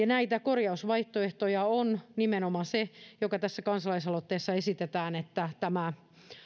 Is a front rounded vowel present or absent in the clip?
absent